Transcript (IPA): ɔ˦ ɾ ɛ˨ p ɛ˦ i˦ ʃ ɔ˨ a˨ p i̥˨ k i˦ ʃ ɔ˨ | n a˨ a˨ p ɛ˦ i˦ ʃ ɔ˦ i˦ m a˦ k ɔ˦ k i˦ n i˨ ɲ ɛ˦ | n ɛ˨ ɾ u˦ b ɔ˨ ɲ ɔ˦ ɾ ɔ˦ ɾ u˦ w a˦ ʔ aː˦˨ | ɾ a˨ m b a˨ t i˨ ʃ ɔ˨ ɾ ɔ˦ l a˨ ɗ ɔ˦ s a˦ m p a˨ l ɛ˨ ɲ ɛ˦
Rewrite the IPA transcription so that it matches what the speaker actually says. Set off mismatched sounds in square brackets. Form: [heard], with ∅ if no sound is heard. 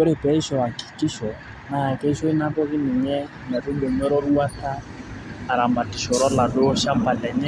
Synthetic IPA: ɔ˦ ɾ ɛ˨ p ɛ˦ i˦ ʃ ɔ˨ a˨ [k] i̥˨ k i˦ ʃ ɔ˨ | n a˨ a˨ [k] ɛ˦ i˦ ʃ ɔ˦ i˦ [n] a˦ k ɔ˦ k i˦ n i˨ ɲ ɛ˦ | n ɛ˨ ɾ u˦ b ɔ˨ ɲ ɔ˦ ɾ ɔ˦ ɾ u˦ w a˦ [t] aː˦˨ | ɾ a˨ m b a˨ t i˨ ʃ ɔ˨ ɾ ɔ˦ l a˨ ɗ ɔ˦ [ʃ] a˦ m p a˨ l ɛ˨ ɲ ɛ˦

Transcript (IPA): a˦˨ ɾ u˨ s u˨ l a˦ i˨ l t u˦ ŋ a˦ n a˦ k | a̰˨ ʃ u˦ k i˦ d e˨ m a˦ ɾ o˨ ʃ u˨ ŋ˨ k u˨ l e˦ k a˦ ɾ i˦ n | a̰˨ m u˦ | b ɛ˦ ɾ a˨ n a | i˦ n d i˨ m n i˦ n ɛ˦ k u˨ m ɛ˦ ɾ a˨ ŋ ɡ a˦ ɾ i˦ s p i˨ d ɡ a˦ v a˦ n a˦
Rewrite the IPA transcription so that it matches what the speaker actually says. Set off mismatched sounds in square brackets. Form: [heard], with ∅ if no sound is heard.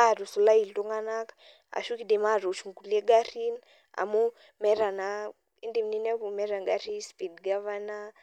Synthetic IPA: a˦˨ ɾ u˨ s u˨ l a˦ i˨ l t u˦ ŋ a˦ n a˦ k | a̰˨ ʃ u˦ k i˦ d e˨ m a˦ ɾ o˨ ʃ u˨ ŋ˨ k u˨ l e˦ [ɡ] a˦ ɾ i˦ n | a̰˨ m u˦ | [m] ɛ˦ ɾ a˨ n a | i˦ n d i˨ m n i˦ n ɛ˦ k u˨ m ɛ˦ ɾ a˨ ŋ ɡ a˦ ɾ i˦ s p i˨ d ɡ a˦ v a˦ n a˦

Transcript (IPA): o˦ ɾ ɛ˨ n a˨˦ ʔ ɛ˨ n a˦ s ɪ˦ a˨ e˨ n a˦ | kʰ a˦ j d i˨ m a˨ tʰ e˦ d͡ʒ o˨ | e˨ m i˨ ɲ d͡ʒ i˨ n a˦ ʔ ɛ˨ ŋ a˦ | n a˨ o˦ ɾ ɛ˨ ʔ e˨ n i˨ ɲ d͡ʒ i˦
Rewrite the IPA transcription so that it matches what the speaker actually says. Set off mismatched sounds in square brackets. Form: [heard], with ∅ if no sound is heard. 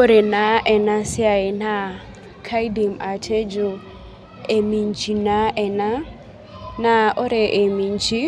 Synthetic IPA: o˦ ɾ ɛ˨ n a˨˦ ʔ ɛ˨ n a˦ s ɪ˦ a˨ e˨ n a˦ | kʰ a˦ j d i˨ m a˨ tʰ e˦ d͡ʒ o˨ | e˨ m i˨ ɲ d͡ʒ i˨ n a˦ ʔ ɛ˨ [n] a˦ | n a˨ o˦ ɾ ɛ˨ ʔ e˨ [m] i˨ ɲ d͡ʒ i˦

